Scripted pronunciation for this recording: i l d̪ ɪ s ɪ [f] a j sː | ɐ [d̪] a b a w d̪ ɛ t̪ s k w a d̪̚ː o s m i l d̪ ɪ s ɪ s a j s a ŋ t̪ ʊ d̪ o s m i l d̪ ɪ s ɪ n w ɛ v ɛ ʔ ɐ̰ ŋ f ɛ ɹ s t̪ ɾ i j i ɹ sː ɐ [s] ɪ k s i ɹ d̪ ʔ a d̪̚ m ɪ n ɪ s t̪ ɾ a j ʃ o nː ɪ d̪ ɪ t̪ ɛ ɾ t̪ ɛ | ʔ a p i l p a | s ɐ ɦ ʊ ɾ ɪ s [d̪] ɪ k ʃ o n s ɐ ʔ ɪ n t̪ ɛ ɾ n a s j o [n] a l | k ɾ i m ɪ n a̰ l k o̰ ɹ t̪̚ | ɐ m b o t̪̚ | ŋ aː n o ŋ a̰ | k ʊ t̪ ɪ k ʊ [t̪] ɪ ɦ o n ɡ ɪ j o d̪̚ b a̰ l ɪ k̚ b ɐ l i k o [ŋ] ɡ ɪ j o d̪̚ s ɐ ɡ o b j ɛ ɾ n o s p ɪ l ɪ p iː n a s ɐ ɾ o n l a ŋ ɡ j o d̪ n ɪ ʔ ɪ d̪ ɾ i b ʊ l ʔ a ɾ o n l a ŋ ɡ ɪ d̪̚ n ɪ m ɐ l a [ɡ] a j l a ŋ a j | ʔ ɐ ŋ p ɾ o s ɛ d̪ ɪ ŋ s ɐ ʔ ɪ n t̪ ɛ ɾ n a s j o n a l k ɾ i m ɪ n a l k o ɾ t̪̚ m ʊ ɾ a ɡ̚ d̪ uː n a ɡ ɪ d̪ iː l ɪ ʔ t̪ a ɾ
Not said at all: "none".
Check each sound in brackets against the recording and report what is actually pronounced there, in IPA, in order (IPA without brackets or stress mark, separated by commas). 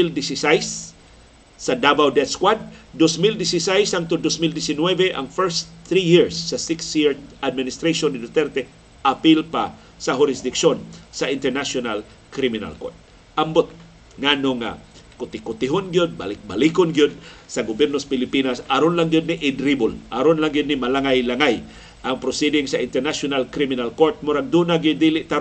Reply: s, d̪, s, d̪, n, t̪, n, ŋ